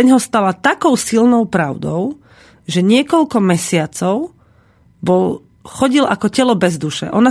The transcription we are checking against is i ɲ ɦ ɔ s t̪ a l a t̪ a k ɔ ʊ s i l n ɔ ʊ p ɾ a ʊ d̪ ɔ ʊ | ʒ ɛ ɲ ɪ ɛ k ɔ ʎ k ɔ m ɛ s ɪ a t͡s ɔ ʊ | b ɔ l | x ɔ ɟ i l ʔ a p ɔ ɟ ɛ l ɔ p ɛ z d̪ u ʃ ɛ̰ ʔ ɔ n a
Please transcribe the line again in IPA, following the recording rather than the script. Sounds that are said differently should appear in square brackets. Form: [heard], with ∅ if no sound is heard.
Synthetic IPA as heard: [ɛ] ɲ ɦ ɔ s t̪ a l a t̪ a k ɔ ʊ s i l n ɔ ʊ p ɾ a ʊ d̪ ɔ ʊ | ʒ ɛ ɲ ɪ ɛ k ɔ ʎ k ɔ m ɛ s ɪ a t͡s ɔ ʊ | b ɔ l | x ɔ ɟ i l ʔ a [k] ɔ [c] ɛ l ɔ [b] ɛ z d̪ u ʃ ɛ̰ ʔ ɔ n a